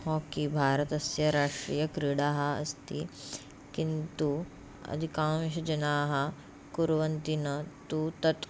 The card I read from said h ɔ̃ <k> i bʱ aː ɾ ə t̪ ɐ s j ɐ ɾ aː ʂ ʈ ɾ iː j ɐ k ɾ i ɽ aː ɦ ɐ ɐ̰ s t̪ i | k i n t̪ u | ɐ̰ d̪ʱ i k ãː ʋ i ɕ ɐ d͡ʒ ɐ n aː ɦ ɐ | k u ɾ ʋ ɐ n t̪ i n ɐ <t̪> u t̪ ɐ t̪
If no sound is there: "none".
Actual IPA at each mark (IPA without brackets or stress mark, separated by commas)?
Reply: k, t̪